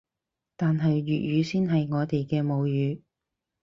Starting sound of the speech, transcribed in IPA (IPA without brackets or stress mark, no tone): t̪